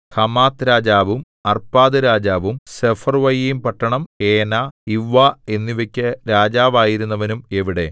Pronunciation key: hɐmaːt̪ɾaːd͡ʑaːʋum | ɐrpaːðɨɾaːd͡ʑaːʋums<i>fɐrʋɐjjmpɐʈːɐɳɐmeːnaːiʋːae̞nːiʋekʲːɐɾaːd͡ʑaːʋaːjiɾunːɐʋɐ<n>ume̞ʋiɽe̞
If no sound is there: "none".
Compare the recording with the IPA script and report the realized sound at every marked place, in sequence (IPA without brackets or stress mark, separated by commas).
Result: e, n